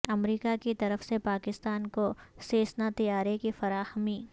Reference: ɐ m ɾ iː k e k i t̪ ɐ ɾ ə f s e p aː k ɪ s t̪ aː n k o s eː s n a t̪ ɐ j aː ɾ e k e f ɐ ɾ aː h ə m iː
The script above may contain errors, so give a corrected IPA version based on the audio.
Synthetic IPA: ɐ m ɾ iː k a k i t̪ ɐ ɾ ə f s e p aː k ɪ s t̪ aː n k o s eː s n a t̪ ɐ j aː ɾ e k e f ɐ ɾ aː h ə m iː